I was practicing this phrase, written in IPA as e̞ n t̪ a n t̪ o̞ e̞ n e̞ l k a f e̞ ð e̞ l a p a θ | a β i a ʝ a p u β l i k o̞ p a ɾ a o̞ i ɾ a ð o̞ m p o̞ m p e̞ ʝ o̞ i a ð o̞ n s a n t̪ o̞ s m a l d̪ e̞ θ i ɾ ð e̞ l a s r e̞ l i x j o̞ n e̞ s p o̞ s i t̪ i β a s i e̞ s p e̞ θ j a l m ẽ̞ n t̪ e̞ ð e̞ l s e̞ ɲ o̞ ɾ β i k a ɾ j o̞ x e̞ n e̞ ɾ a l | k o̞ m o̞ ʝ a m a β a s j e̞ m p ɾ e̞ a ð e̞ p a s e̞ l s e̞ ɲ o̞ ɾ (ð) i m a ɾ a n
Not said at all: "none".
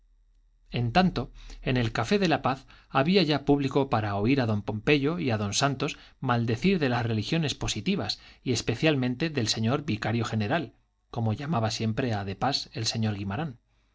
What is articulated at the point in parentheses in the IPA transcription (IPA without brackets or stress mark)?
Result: ɣ